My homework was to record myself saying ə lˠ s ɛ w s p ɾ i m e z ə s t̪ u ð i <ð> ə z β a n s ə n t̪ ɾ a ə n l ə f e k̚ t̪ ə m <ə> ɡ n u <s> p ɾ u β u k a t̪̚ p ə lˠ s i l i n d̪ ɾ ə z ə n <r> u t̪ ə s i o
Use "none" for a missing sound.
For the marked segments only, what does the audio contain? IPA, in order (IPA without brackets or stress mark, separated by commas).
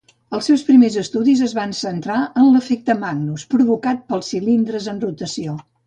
z, a, s, r